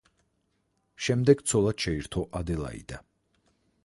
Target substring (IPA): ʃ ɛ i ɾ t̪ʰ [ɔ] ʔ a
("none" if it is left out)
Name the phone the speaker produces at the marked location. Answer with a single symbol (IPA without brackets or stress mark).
ɔ